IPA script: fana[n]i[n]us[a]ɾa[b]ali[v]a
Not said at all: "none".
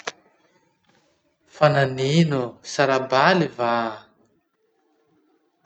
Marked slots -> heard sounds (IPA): n, n, a, b, v

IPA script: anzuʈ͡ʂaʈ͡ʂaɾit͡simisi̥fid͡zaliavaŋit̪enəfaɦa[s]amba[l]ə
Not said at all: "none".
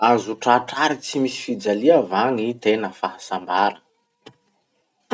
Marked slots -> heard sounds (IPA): s, ɾ

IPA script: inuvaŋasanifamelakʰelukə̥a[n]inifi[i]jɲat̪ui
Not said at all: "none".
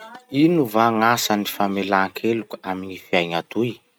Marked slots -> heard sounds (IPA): m, a

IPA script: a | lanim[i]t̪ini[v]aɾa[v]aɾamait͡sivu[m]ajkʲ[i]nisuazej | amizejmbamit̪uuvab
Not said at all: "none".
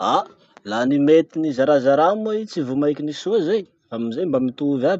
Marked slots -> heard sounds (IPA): e, z, z, m, i

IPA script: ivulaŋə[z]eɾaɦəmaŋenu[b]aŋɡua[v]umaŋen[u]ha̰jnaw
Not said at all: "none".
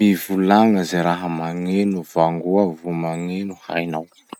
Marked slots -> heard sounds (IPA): z, v, v, u

